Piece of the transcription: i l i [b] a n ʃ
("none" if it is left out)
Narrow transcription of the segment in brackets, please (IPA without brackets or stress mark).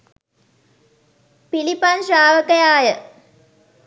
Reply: p